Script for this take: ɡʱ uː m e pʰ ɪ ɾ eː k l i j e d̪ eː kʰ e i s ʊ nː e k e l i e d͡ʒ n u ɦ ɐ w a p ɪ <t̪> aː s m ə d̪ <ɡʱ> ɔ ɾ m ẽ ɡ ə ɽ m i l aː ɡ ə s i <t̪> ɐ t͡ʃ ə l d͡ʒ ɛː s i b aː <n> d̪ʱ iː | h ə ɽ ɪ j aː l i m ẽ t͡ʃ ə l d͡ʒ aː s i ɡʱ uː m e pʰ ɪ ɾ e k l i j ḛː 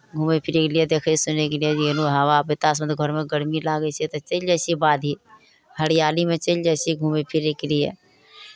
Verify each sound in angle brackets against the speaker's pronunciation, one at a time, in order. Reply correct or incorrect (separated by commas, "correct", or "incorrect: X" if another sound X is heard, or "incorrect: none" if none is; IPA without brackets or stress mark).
correct, correct, correct, incorrect: none